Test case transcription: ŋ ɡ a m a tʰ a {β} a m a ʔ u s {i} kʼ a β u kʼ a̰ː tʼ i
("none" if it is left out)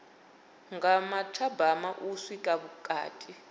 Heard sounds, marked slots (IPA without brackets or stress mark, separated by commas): b, i